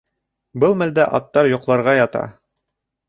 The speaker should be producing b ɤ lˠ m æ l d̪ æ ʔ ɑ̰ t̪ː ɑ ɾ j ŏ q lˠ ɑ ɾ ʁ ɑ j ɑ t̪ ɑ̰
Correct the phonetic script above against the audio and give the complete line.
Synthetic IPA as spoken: b ɤ lˠ m æ l d̪ æ ʔ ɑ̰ t̪ː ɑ ɾ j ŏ q lˠ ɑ ɾ ʁ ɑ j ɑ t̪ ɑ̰